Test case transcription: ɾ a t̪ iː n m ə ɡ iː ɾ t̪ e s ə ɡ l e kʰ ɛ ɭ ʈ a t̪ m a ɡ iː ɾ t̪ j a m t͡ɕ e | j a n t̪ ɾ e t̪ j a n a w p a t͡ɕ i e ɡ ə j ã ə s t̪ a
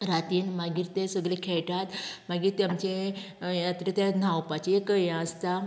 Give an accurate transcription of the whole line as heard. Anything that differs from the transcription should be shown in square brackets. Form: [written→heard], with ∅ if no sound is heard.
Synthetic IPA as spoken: ɾ a t̪ iː n m [ə→a] ɡ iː ɾ t̪ e s ə ɡ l e kʰ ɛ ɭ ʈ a t̪ m a ɡ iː ɾ t̪ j a m t͡ɕ e | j a [n→∅] t̪ ɾ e t̪ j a n a w p a t͡ɕ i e [ɡ→k] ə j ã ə s t̪ a